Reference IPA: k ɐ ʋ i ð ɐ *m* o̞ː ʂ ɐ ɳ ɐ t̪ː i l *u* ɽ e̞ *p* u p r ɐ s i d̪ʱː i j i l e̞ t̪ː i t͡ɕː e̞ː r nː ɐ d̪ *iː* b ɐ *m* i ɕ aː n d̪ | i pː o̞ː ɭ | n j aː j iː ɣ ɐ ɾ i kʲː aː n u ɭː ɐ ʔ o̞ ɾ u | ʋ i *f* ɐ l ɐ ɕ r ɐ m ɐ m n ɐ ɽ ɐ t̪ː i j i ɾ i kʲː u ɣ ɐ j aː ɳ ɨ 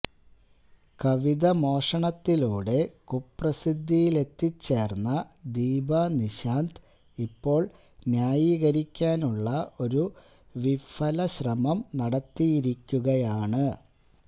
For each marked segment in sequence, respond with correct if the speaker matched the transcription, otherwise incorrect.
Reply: correct, incorrect, incorrect, correct, incorrect, correct

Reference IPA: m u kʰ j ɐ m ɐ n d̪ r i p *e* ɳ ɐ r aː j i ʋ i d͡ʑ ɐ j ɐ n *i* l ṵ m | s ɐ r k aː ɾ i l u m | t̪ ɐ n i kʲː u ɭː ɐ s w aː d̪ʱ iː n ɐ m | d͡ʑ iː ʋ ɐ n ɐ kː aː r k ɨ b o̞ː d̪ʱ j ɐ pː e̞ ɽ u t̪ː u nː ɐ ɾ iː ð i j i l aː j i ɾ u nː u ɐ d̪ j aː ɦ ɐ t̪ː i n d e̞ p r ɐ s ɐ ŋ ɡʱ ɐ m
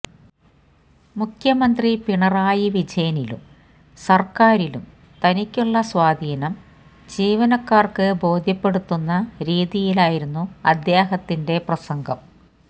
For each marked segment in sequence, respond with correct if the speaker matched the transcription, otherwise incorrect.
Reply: incorrect, correct

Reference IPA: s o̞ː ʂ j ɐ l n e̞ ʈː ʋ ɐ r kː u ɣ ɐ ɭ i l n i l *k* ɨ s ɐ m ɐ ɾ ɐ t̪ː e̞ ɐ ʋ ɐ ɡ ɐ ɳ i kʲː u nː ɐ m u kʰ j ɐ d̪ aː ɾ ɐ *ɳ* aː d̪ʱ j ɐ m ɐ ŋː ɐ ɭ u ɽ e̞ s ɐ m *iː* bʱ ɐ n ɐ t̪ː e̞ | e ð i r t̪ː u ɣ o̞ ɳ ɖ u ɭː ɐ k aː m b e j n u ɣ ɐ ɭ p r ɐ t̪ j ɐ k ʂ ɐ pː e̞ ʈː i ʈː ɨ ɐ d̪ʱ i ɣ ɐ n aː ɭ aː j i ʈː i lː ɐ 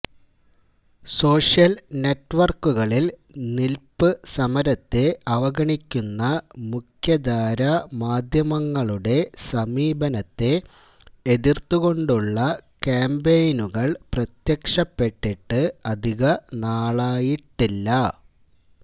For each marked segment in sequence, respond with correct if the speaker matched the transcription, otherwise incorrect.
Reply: incorrect, incorrect, correct

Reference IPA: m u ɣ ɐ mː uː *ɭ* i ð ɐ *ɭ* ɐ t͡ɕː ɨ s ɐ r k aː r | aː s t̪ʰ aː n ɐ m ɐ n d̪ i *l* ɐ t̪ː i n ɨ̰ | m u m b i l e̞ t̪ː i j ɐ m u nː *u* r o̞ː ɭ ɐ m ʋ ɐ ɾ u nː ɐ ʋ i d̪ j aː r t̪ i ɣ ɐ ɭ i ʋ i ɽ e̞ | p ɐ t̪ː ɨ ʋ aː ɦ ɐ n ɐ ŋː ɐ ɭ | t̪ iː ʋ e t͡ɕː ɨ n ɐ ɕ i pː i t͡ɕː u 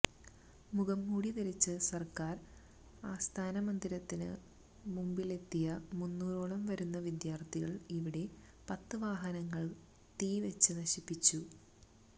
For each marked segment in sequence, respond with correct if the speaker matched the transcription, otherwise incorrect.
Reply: incorrect, incorrect, incorrect, incorrect

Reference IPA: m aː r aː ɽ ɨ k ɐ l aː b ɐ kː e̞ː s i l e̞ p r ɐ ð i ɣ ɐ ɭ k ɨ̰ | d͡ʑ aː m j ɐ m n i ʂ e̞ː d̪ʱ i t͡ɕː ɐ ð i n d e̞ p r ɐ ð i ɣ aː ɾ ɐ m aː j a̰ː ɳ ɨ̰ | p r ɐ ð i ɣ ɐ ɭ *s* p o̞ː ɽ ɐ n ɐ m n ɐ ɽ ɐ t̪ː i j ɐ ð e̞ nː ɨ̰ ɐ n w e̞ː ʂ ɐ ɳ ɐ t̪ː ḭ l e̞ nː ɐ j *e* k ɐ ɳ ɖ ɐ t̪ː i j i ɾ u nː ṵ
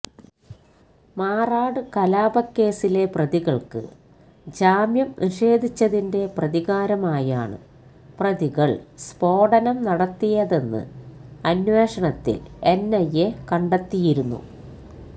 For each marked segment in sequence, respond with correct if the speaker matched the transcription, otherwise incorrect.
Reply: correct, correct

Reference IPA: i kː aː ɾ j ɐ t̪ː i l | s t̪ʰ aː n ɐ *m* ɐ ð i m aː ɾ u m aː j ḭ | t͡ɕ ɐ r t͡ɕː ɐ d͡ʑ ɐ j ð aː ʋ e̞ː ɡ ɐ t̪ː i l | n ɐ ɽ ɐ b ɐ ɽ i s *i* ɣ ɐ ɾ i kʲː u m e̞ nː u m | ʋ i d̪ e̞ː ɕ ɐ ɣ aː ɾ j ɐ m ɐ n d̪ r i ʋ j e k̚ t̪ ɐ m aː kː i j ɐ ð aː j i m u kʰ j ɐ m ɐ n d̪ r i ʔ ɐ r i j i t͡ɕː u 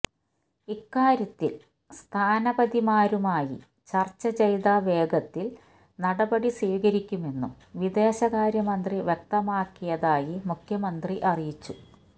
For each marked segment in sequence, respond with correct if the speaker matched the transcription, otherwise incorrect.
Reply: incorrect, incorrect

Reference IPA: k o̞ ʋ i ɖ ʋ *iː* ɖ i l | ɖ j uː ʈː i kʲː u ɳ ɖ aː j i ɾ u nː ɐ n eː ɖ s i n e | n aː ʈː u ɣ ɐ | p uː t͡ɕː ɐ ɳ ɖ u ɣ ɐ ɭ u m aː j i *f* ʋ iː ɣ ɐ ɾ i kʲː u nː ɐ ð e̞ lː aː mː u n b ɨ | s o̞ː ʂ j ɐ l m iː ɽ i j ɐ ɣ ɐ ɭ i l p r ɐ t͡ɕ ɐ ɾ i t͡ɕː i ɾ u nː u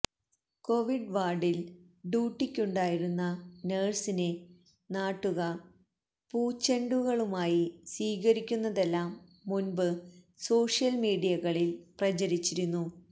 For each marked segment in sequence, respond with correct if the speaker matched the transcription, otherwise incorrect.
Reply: incorrect, incorrect

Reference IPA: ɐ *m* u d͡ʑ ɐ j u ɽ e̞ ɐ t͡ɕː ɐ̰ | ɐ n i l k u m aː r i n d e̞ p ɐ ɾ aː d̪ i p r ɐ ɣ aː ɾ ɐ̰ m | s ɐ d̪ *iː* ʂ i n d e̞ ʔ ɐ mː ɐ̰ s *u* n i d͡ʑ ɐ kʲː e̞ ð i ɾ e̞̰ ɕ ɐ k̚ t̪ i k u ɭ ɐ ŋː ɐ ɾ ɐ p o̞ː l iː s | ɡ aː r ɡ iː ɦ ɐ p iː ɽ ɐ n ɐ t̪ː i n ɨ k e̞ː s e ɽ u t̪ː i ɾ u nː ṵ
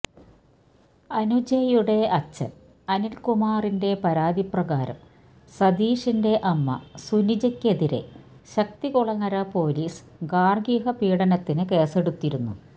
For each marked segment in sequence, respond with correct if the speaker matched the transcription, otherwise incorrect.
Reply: incorrect, correct, correct

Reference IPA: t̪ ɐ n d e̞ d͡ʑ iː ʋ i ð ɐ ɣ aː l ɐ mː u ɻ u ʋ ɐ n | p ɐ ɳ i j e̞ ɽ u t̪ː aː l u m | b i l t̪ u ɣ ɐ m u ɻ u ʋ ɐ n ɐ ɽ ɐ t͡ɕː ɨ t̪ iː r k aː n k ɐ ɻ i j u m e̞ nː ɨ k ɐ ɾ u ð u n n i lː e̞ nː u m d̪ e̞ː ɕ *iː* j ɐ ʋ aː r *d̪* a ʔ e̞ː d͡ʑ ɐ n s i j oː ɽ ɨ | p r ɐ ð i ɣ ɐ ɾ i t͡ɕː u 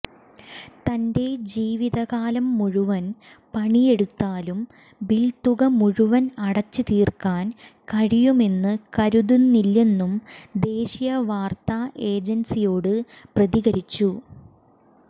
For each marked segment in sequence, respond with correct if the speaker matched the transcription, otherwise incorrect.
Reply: incorrect, incorrect

